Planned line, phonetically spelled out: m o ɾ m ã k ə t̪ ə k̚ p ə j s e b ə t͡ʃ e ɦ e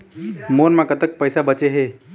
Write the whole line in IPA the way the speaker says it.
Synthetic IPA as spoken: m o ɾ m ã k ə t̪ ə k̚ p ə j s a b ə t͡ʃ e ɦ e